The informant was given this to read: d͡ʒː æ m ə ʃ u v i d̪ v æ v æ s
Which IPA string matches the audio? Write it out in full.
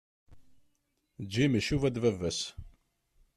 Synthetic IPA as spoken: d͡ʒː i m ə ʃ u v æ d̪ v æ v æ s